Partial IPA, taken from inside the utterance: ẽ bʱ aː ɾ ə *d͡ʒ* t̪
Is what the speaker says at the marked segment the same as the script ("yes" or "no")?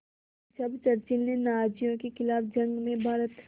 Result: no